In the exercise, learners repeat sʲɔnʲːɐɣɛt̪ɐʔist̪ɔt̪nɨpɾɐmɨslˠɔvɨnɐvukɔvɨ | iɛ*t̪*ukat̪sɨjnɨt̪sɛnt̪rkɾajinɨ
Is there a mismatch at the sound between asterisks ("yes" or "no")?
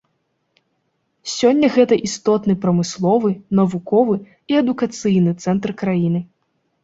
yes